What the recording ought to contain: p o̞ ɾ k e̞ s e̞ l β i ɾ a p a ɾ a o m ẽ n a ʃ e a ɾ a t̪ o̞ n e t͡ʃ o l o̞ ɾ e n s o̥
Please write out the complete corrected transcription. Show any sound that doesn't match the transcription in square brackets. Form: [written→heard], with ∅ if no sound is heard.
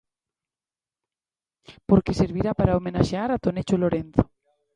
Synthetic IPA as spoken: p o̞ ɾ k e̞ s e̞ [l→ɾ] β i ɾ a p a ɾ a o m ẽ n a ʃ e a ɾ a t̪ o̞ n e t͡ʃ o l o̞ ɾ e n [s→θ] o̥